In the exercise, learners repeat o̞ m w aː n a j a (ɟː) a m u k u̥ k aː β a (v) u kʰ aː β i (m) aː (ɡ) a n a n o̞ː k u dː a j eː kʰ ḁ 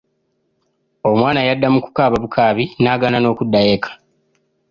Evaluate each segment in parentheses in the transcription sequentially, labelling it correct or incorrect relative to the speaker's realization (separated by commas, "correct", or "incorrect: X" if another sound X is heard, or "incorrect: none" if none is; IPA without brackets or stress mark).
incorrect: dː, incorrect: β, incorrect: n, correct